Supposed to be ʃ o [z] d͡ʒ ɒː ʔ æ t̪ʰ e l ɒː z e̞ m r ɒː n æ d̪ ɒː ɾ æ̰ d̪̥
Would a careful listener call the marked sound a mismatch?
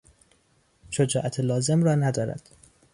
yes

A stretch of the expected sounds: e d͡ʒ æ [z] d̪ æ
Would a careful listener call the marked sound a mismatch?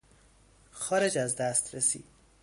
no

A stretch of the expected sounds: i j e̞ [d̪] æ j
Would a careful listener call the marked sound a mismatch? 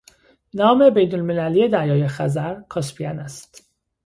no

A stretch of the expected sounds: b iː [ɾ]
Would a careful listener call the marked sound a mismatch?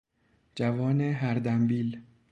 yes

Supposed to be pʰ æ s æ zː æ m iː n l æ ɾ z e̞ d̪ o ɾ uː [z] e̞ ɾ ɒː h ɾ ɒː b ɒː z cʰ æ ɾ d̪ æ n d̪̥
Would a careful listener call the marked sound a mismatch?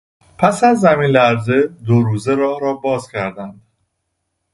no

